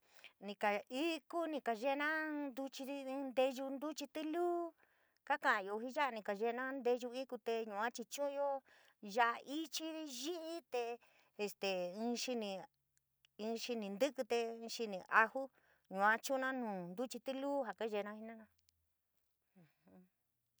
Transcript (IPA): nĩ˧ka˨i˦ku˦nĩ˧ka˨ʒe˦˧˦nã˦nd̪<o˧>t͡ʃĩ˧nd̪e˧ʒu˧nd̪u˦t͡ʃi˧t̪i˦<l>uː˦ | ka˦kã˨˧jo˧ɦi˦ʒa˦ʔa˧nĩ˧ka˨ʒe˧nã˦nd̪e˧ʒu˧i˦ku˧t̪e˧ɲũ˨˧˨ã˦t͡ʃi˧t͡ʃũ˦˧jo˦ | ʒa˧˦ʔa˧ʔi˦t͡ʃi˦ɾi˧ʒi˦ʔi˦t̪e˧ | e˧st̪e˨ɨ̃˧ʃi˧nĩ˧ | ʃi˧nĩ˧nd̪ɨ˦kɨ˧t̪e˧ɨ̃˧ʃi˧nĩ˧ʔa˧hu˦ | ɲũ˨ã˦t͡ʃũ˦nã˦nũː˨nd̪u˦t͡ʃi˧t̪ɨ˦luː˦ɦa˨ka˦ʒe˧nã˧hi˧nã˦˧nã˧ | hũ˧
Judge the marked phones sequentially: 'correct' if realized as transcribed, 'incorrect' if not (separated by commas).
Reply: incorrect, correct